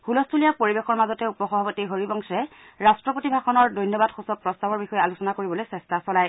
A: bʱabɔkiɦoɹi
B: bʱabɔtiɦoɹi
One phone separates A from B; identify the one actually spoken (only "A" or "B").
B